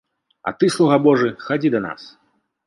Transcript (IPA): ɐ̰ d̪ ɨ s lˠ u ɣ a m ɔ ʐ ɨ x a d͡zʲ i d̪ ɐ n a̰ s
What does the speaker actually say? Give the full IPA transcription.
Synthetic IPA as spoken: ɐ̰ t̪ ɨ s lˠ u ɣ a b ɔ ʐ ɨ x a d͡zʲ i d̪ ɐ n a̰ s